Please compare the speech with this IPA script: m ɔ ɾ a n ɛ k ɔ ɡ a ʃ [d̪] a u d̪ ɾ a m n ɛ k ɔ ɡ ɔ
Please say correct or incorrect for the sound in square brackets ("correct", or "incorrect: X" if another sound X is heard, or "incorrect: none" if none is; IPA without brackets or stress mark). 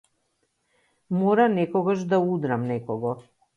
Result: correct